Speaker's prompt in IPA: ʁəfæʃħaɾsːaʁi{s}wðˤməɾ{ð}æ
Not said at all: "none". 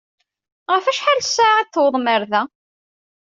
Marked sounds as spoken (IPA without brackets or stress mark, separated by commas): θ, ð